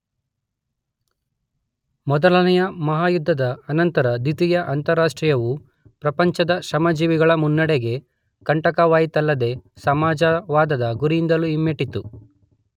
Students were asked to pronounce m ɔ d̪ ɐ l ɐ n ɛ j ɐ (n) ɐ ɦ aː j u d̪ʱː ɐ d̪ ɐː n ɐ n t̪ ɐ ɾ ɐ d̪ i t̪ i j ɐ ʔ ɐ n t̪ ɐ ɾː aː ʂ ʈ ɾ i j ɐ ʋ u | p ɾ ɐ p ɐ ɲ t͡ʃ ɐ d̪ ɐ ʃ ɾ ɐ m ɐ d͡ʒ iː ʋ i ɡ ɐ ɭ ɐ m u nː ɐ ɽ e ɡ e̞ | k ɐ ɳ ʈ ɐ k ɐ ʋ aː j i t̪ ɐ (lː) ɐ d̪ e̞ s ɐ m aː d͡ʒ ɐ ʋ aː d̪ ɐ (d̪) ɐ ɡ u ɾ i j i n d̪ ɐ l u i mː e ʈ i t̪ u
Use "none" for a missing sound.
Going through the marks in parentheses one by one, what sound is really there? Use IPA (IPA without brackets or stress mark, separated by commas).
m, lː, d̪